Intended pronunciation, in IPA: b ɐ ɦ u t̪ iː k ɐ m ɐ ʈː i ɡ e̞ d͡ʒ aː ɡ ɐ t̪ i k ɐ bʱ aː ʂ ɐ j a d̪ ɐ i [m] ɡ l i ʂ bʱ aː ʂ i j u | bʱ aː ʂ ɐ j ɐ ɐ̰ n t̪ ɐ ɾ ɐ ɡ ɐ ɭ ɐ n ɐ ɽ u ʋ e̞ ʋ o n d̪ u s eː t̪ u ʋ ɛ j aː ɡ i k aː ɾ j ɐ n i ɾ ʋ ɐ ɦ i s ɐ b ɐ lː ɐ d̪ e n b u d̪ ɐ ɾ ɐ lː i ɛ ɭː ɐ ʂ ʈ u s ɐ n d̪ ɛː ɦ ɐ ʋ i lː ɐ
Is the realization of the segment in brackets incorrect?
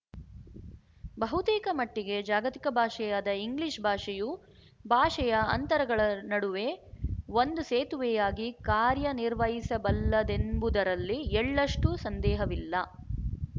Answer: yes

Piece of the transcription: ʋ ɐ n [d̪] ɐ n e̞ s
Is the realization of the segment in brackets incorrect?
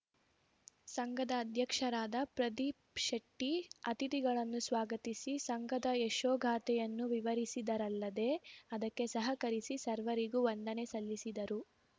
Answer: no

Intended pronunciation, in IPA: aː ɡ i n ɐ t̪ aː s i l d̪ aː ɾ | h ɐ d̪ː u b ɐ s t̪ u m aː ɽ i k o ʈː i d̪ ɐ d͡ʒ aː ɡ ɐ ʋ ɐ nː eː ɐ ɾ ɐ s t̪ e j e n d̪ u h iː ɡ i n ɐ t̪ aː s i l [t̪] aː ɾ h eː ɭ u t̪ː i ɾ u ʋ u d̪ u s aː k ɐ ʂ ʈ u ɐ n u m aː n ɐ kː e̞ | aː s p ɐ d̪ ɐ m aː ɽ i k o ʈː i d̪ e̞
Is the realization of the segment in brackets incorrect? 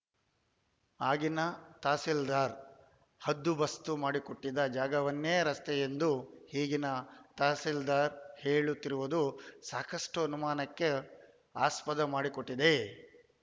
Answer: yes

